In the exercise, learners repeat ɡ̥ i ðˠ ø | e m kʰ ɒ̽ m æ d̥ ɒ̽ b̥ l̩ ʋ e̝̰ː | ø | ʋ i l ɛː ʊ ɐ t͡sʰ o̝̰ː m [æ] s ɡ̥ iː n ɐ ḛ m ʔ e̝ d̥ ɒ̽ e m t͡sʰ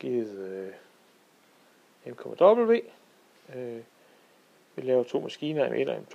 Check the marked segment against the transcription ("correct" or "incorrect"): correct